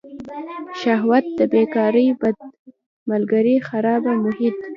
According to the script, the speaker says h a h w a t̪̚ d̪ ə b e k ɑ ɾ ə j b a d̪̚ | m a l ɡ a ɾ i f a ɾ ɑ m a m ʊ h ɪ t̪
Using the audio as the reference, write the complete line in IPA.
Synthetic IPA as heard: ʃ a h w a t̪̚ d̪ ə b e k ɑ ɾ ə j b a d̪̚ | m a l ɡ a ɾ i x a ɾ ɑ b a m ʊ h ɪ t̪